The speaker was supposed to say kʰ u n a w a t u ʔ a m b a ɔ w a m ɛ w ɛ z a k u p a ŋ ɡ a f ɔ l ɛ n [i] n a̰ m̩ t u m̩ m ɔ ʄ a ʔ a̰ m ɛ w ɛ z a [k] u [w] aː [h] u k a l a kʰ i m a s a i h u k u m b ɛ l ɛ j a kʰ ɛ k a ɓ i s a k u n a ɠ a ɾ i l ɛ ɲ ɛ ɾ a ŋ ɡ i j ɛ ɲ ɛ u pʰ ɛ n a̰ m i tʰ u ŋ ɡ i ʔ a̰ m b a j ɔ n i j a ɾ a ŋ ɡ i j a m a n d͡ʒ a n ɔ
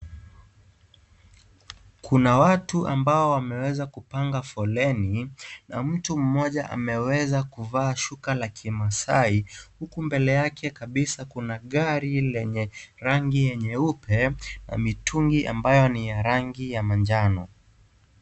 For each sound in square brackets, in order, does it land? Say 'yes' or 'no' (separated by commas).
yes, yes, no, no